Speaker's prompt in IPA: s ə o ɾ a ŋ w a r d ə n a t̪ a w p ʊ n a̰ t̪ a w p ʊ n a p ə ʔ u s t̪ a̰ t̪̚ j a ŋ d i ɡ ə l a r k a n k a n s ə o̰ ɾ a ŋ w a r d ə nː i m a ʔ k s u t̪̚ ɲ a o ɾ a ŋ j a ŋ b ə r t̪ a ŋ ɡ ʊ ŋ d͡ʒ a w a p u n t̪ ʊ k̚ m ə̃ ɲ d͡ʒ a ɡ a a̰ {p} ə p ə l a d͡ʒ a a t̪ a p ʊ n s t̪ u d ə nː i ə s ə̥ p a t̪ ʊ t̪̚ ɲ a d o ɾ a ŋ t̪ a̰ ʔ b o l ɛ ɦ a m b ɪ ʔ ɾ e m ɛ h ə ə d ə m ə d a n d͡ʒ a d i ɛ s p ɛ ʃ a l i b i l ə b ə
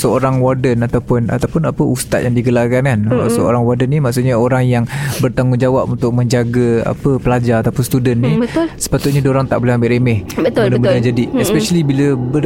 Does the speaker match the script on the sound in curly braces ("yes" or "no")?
yes